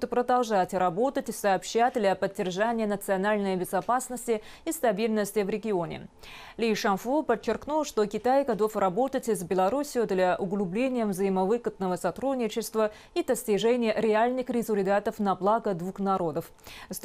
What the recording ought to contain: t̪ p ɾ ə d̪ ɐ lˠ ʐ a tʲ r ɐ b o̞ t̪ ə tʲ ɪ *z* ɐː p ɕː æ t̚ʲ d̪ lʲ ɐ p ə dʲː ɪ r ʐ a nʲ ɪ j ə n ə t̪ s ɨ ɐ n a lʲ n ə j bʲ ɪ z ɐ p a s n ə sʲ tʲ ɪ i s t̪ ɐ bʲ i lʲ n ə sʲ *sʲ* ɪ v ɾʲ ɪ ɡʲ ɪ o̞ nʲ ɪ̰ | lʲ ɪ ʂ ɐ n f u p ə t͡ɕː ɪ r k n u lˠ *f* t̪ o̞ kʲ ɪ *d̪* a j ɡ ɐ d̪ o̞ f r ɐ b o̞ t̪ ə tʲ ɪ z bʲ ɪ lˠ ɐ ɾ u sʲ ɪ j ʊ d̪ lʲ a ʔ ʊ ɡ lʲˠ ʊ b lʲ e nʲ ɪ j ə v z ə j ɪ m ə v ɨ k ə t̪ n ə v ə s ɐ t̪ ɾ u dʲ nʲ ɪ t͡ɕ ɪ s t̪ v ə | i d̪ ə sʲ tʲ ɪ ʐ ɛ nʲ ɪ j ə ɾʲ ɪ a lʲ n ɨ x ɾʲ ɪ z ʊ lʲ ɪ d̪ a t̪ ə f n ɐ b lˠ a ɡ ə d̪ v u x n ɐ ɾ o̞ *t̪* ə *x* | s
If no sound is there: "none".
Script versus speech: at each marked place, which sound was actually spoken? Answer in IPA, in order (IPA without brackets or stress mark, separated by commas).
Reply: s, tʲ, ʂ, t̪, d̪, f